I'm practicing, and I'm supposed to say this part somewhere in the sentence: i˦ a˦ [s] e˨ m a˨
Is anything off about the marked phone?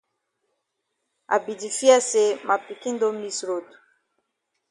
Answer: no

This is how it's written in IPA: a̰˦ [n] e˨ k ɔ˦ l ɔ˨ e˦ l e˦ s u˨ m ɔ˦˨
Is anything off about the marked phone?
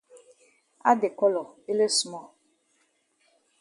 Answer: yes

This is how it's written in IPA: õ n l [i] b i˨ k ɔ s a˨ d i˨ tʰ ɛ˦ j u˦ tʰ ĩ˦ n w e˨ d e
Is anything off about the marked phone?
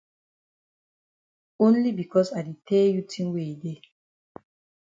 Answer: no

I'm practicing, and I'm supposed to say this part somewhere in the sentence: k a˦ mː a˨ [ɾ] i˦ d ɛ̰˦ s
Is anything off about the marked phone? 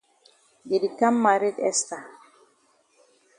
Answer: no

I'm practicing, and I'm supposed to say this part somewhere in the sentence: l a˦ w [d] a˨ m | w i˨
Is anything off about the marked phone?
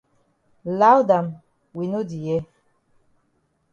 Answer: no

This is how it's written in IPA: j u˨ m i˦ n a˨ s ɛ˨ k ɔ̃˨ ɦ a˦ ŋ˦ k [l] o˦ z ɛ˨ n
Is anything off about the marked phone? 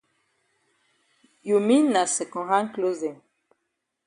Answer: no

